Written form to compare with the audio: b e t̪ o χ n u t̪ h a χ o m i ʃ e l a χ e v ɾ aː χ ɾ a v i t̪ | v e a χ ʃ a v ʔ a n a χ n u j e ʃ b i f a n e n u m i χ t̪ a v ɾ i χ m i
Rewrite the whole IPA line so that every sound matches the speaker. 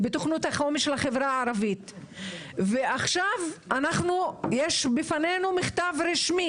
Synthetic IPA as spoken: b e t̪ o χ n u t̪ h a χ o m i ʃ e l a χ e v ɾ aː ɾ a v i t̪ | v e a χ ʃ a v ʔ a n a χ n u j e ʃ b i f a n e n u m i χ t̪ a v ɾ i ʃ m i